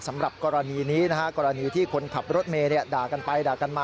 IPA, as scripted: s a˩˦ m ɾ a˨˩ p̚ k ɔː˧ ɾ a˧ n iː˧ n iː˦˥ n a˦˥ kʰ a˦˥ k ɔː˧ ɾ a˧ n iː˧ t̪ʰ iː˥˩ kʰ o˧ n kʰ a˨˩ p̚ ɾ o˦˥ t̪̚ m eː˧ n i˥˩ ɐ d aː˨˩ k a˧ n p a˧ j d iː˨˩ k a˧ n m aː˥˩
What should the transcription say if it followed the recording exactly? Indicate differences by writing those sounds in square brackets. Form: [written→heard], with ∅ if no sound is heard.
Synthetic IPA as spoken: s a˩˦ m ɾ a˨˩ p̚ k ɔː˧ ɾ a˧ n iː˧ n iː˦˥ n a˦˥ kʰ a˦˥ k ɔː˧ ɾ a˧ n iː˧ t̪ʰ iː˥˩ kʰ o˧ n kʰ a˨˩ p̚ ɾ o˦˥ t̪̚ m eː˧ n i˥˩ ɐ d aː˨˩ k a˧ n p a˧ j d [iː˨˩→aː˨˩] k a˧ n m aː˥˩